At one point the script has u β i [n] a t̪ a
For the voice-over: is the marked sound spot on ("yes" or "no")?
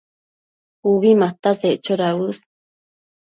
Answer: no